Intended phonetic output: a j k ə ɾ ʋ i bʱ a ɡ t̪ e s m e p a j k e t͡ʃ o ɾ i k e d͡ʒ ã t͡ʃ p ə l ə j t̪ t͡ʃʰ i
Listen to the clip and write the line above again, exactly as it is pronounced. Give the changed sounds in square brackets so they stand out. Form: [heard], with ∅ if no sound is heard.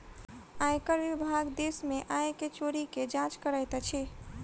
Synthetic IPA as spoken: a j k ə ɾ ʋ i bʱ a ɡ [d̪] e s m e [ʔ] a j k e t͡ʃ o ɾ i k e d͡ʒ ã t͡ʃ [k] ə [ɾ] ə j t̪ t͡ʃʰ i